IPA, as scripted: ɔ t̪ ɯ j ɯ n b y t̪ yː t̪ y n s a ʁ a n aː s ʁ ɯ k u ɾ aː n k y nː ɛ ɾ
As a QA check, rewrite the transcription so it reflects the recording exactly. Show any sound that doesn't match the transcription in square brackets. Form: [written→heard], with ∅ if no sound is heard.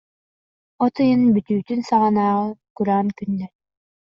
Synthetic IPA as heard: ɔ t̪ ɯ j ɯ n b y t̪ yː t̪ y n s a ʁ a n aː [s→∅] ʁ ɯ k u ɾ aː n k y nː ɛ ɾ